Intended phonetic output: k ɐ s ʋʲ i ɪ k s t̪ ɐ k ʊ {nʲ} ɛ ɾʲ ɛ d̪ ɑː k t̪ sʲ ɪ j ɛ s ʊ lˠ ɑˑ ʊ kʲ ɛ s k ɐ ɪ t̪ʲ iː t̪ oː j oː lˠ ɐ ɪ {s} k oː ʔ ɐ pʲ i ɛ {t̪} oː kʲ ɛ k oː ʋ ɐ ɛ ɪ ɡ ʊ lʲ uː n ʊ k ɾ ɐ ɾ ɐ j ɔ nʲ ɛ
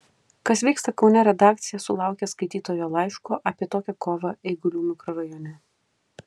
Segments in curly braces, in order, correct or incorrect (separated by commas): correct, incorrect, correct